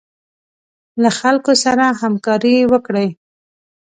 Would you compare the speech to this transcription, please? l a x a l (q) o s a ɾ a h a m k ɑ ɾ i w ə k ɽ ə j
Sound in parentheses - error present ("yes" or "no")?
yes